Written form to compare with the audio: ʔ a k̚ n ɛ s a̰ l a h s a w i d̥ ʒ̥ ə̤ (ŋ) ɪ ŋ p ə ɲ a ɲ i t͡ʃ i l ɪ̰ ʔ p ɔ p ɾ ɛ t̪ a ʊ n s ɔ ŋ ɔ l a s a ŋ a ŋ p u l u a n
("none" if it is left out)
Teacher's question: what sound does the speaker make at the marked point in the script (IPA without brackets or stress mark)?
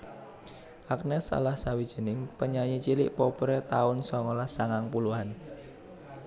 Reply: n